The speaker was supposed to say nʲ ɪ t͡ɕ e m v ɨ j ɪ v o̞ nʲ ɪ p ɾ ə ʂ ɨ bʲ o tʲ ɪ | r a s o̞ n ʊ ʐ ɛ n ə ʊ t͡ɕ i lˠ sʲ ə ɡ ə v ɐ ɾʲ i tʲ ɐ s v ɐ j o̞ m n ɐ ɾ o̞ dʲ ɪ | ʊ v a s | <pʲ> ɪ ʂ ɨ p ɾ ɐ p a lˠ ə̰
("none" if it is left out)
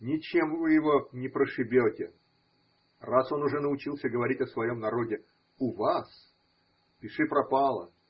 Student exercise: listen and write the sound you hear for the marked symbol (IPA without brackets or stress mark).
pʲ